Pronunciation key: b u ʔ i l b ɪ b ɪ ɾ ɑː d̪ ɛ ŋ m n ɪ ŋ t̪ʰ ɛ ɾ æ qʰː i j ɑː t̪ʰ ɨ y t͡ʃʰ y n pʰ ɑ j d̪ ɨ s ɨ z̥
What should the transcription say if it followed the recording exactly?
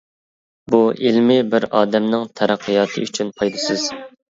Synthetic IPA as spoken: b u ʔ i l m ɪ b ɪ ɾ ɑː d̪ ɛ m n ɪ ŋ t̪ʰ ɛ ɾ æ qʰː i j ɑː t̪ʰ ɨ y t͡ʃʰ y n pʰ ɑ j d̪ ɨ s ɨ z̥